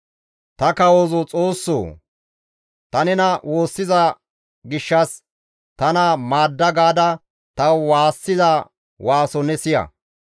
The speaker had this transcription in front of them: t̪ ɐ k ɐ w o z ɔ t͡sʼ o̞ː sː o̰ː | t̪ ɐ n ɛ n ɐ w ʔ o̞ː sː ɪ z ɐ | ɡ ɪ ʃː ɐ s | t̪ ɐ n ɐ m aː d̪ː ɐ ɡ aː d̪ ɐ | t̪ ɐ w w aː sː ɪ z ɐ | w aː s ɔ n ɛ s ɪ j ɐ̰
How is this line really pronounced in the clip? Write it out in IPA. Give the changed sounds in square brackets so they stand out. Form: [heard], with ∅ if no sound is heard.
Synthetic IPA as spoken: t̪ ɐ k ɐ w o z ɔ t͡sʼ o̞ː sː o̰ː | t̪ ɐ n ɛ n ɐ w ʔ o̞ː sː ɪ z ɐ | ɡ ɪ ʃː ɐ s | t̪ ɐ n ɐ m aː d̪ː ɐ ɡ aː d̪ ɐ | t̪ ɐ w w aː sː ɪ z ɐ | w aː s ɔ n ɛ s ɪ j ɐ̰